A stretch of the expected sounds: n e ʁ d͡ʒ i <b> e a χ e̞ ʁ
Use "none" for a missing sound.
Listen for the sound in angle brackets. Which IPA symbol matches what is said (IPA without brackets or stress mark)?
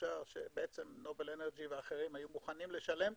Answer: v